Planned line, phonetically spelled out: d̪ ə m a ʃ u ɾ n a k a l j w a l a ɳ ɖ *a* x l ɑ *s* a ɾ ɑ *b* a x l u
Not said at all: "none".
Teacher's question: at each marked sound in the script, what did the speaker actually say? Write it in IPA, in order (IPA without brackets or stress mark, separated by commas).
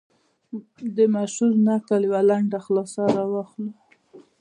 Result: a, s, w